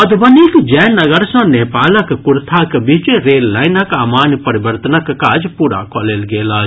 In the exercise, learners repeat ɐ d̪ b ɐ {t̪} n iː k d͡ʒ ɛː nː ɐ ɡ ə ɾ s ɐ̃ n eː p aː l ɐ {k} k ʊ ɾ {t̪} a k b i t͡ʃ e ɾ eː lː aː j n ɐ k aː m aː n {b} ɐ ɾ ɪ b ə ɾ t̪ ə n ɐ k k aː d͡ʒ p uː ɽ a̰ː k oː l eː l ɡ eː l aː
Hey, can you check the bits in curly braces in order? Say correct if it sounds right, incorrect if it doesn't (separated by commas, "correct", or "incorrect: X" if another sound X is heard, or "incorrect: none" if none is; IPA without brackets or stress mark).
incorrect: none, correct, incorrect: t̪ʰ, incorrect: p